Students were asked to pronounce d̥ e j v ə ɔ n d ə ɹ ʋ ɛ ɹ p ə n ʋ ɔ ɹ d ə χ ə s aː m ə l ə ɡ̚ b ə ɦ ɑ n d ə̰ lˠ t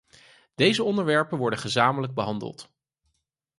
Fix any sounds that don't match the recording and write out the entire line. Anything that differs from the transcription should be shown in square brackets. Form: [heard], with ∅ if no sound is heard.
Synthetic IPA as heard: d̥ e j [z] ə ɔ n d ə ɹ ʋ ɛ ɹ p ə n ʋ ɔ ɹ d ə χ ə [z] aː m ə l ə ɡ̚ b ə ɦ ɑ n d ə̰ lˠ t